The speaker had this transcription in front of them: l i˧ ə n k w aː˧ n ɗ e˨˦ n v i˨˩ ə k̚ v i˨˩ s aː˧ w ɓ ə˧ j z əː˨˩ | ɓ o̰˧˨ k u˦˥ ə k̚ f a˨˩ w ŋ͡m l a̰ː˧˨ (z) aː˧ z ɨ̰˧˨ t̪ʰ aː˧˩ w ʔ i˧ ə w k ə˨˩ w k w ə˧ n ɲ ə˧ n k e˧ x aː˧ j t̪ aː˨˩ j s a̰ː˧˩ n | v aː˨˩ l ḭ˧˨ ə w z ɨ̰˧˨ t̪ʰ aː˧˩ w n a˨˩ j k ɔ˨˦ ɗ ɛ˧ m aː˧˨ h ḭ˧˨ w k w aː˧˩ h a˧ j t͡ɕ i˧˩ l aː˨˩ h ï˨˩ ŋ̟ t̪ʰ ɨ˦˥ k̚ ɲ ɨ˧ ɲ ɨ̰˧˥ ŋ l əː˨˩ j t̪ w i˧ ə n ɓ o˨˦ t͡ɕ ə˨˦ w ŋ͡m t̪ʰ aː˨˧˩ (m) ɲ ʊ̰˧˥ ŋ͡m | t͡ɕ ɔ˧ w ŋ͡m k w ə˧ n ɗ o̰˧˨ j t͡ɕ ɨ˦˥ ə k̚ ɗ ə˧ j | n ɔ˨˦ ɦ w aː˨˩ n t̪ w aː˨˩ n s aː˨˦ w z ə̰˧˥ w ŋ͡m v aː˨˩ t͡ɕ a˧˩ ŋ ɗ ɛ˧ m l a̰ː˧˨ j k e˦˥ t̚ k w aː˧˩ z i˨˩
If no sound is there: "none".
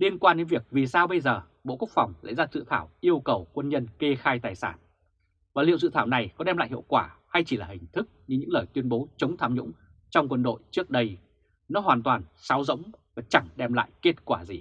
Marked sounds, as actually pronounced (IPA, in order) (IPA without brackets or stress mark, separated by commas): z, m